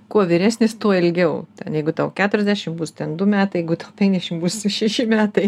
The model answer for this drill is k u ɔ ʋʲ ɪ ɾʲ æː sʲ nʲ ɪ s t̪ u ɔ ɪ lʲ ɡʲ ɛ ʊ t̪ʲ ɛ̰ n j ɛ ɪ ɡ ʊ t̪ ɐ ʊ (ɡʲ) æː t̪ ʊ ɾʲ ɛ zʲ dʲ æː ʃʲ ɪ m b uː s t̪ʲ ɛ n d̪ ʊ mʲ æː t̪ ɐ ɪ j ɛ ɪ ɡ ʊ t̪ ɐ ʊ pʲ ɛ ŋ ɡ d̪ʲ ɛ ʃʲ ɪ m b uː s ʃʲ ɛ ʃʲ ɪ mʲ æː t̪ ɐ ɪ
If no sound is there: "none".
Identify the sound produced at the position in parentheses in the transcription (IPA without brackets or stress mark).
kʲ